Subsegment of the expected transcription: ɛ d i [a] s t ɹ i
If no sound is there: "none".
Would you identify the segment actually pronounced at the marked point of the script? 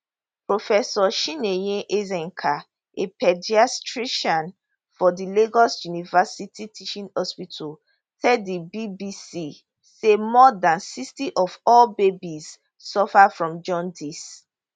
a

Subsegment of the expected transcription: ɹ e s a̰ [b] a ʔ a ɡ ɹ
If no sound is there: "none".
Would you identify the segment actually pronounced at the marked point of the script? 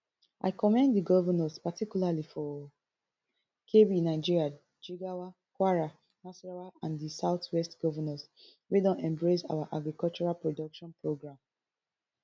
w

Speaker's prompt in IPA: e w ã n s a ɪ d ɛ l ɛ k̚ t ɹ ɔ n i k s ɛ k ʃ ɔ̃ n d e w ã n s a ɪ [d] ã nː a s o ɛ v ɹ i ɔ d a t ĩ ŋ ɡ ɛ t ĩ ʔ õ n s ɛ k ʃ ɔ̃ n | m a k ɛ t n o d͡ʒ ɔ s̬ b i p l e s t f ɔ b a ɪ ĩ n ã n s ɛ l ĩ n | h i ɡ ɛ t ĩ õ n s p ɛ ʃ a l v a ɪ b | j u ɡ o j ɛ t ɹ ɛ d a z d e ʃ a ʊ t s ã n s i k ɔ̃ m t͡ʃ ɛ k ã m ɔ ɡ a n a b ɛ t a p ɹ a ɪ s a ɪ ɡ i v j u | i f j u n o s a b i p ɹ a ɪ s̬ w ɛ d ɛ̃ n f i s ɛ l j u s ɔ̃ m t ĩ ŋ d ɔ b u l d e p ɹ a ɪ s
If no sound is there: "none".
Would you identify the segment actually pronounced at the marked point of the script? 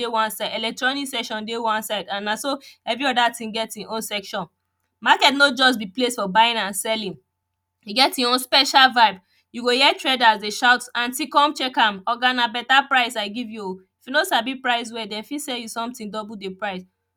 d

